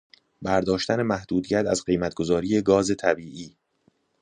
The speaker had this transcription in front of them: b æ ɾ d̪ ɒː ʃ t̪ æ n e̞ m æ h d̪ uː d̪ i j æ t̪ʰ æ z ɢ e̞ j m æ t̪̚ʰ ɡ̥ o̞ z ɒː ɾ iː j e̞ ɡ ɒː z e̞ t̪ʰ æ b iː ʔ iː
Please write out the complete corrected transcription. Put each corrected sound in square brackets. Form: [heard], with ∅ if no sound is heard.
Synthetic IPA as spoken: b æ ɾ d̪ ɒː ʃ t̪ æ n e̞ m æ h d̪ uː d̪ i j æ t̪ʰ æ z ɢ e̞ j m æ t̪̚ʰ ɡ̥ o̞ z ɒː ɾ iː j e̞ ɡ ɒː z e̞ t̪ʰ æ b iː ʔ iː